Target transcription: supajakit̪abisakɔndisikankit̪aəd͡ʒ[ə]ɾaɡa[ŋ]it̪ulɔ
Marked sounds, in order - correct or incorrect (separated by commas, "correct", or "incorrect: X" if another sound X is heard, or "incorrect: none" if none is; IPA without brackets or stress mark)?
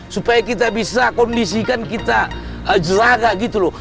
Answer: correct, incorrect: ɡ